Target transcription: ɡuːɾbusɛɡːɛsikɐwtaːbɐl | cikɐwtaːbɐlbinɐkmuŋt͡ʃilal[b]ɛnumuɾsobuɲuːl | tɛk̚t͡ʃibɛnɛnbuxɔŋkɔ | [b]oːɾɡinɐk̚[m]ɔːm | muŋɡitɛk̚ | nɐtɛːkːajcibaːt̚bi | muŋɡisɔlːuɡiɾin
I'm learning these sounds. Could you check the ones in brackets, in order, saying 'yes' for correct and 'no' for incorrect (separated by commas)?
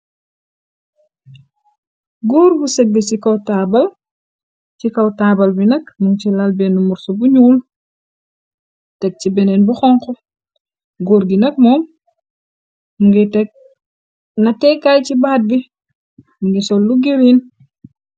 yes, no, yes